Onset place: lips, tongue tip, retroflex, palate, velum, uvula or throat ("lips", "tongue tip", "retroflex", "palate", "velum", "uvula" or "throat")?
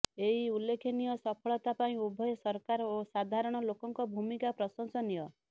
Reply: throat